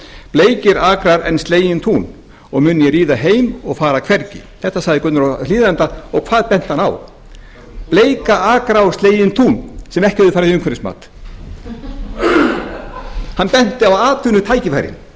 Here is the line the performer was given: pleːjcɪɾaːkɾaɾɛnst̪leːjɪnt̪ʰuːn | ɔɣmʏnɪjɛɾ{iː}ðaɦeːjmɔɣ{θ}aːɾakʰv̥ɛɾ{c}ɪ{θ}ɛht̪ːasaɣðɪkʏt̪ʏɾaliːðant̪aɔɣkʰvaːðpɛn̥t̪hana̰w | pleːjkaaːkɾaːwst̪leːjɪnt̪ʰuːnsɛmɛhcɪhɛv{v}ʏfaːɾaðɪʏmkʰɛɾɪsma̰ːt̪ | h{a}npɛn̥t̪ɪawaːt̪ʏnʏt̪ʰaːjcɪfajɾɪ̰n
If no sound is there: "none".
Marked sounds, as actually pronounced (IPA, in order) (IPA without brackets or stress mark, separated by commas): iː, f, c, θ, ð, a